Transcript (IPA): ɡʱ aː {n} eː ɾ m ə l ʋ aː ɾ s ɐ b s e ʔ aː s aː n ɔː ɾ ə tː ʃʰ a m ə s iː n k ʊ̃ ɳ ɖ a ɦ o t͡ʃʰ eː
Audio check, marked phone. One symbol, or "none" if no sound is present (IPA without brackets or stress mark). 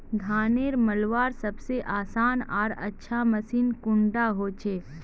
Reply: n